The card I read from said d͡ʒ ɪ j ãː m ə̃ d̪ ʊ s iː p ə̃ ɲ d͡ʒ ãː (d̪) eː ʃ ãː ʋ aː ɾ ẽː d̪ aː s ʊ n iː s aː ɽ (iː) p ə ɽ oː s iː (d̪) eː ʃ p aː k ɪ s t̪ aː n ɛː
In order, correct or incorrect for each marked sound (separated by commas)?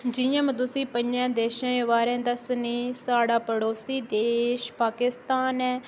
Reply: correct, incorrect, correct